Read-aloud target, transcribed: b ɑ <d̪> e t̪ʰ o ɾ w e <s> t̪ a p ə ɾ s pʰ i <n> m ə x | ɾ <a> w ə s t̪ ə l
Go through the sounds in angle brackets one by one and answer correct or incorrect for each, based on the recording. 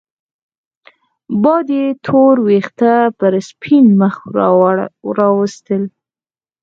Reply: correct, incorrect: x, correct, incorrect: ɑ

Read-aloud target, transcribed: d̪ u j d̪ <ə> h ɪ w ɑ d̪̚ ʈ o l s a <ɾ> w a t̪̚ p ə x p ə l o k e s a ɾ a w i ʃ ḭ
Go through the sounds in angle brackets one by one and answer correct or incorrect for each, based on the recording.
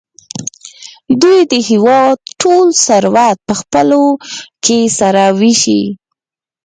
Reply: correct, correct

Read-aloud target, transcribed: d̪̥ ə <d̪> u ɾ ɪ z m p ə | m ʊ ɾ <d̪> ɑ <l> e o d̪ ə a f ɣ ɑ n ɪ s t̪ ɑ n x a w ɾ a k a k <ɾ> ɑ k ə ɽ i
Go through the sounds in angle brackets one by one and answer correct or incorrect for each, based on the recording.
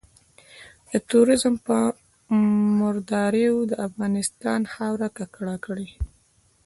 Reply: incorrect: t̪, correct, incorrect: ɾ, incorrect: ɽ

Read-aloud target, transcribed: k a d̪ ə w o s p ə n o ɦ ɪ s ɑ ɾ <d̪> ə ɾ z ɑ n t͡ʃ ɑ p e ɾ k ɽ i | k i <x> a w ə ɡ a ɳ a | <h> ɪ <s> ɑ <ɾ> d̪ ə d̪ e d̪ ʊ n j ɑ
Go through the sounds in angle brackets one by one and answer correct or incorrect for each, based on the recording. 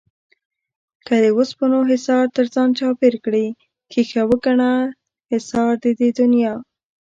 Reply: incorrect: t̪, correct, correct, correct, correct

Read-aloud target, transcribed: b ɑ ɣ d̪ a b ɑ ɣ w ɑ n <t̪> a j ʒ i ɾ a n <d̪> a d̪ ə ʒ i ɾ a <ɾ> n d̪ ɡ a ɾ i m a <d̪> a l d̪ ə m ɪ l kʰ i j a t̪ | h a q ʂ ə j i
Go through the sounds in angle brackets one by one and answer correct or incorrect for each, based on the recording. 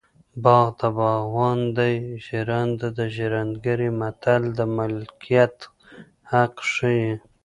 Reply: incorrect: d̪, correct, incorrect: none, incorrect: t̪

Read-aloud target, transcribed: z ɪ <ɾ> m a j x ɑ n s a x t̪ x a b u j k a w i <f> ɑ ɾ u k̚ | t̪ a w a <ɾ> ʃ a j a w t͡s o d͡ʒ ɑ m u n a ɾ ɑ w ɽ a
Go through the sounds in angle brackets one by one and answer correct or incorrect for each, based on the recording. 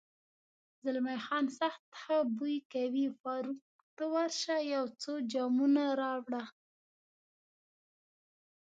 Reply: incorrect: l, correct, correct

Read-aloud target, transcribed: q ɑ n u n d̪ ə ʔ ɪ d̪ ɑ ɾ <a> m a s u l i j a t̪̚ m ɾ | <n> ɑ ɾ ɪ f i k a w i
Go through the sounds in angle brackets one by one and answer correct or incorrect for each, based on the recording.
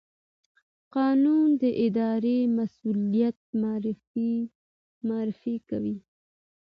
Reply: incorrect: e, incorrect: m

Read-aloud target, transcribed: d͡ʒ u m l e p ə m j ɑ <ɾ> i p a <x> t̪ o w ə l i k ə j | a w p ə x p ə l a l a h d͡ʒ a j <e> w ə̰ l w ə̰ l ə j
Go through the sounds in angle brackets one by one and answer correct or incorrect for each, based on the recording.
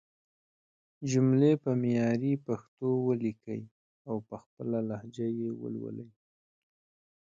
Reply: correct, correct, correct

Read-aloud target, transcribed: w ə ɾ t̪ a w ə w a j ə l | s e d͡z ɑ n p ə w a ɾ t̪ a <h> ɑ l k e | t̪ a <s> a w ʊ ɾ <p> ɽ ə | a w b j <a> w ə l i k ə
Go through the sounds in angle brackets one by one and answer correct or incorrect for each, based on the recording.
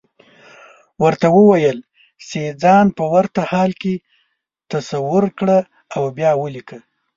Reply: correct, correct, incorrect: k, incorrect: ɑ

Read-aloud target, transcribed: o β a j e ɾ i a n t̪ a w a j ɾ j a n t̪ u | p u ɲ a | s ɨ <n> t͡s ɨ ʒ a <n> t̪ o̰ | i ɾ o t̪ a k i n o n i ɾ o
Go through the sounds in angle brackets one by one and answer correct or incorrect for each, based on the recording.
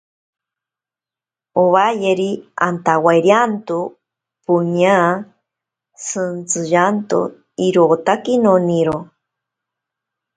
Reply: correct, correct

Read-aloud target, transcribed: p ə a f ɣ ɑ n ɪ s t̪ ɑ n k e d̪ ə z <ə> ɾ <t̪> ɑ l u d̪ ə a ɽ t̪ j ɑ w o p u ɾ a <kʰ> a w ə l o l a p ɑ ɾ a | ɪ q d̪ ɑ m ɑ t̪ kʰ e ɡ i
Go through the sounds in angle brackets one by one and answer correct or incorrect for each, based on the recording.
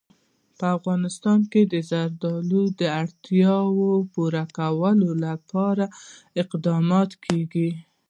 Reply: incorrect: a, incorrect: d̪, incorrect: k

